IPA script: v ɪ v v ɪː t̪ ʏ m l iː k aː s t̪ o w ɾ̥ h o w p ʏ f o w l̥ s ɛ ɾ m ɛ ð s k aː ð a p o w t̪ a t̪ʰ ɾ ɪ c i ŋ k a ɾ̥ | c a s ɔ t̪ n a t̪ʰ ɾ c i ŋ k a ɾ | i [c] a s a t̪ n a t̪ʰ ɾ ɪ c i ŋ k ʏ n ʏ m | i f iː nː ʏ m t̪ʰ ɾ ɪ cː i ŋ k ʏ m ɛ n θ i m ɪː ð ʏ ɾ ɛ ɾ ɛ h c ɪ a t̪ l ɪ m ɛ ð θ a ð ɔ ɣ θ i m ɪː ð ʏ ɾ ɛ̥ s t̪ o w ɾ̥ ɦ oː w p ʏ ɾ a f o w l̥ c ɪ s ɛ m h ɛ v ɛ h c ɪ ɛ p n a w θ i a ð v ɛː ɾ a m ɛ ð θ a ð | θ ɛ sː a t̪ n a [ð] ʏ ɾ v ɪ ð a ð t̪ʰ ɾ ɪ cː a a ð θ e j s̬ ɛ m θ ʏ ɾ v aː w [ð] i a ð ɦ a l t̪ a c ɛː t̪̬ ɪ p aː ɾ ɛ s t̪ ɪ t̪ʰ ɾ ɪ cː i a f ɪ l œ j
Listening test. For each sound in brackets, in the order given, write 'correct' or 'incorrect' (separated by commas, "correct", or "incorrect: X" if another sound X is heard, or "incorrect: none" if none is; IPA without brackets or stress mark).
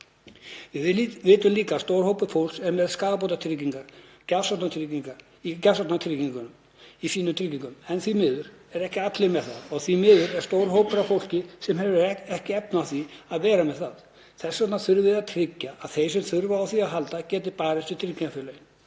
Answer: correct, incorrect: θ, incorrect: θ